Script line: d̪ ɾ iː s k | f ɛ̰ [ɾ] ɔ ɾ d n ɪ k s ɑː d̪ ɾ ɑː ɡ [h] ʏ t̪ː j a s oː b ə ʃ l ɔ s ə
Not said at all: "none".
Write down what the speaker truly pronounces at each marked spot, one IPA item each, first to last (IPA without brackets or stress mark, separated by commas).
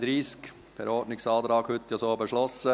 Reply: ɾ, h